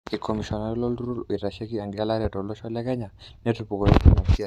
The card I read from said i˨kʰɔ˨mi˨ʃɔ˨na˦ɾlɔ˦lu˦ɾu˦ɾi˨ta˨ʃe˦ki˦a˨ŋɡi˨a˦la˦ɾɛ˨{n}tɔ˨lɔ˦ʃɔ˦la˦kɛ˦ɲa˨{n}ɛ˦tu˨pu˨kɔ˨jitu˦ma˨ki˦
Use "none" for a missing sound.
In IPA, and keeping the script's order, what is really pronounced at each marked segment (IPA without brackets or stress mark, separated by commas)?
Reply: none, n